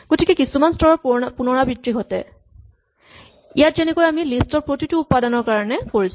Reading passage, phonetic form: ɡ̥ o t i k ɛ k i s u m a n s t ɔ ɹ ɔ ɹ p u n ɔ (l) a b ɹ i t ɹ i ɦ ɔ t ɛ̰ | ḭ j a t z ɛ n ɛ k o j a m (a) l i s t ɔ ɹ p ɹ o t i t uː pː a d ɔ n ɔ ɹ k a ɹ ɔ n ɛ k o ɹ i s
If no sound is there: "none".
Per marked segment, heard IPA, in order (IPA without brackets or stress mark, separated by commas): ɹ, i